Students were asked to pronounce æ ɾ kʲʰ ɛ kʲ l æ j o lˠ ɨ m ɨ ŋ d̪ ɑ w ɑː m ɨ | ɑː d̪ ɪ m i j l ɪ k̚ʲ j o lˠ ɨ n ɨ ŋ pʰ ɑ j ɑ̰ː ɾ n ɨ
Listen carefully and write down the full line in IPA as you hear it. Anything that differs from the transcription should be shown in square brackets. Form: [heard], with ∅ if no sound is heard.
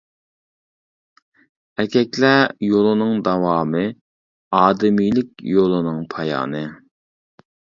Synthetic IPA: æ ɾ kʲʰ ɛ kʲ l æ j o lˠ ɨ [n] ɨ ŋ d̪ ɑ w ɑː m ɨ | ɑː d̪ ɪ m i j l ɪ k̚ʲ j o lˠ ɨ n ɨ ŋ pʰ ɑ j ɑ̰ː [∅] n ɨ